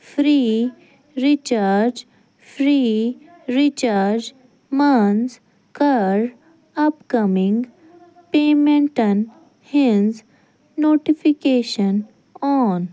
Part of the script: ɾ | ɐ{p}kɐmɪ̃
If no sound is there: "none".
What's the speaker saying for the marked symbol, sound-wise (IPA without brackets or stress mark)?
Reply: p